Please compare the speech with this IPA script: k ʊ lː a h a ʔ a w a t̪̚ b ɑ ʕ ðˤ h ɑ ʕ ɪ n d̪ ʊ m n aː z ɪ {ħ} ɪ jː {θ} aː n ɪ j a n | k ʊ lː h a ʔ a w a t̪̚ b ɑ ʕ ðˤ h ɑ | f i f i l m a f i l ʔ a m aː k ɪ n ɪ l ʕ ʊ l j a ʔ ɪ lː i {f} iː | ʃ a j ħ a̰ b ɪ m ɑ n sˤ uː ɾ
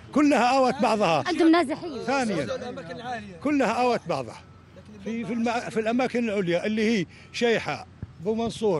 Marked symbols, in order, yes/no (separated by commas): yes, yes, no